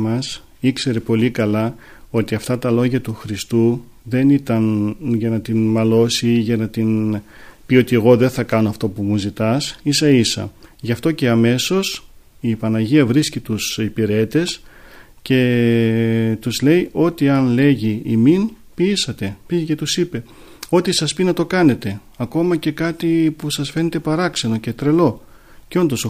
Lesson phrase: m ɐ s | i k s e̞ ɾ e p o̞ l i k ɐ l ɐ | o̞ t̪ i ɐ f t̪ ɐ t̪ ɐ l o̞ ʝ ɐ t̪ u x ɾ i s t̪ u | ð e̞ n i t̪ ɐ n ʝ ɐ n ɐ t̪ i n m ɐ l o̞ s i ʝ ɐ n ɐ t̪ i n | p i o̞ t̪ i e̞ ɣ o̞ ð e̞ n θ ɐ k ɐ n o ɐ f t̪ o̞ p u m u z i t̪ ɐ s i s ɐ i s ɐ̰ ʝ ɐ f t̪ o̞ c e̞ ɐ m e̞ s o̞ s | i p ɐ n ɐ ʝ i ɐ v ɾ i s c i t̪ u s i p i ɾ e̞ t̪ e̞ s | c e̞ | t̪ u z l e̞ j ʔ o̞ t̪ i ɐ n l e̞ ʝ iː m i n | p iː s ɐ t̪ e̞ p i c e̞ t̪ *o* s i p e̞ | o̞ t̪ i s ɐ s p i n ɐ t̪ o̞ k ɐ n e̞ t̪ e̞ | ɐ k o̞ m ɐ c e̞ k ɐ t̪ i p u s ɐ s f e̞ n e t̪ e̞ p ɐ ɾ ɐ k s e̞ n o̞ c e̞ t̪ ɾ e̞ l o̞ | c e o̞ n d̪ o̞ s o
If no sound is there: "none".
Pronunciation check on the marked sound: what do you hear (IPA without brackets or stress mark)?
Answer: u